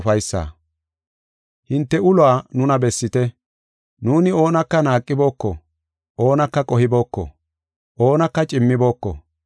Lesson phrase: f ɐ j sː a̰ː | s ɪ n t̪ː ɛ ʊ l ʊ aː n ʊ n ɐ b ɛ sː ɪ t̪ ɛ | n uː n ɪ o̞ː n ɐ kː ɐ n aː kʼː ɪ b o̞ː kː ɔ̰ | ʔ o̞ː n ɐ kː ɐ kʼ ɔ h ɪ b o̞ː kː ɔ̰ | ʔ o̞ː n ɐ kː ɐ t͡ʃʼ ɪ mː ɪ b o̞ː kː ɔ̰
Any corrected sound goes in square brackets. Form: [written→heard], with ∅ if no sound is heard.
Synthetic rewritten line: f ɐ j sː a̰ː | [s→h] ɪ n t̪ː ɛ ʊ l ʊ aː n ʊ n ɐ b ɛ sː ɪ t̪ ɛ | n uː n ɪ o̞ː n ɐ kː ɐ n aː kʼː ɪ b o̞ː kː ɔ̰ | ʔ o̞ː n ɐ kː ɐ kʼ ɔ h ɪ b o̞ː kː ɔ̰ | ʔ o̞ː n ɐ kː ɐ t͡ʃʼ ɪ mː ɪ b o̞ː kː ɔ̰